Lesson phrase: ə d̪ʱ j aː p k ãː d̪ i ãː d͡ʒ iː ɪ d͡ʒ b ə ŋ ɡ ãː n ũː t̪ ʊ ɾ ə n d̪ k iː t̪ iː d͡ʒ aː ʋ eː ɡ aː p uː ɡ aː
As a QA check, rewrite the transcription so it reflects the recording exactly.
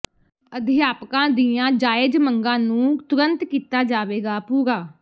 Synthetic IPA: ə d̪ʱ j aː p k ãː d̪ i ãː d͡ʒ aː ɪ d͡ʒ m ə ŋ ɡ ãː n ũː t̪ ʊ ɾ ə n t̪ k iː t̪ aː d͡ʒ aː ʋ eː ɡ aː p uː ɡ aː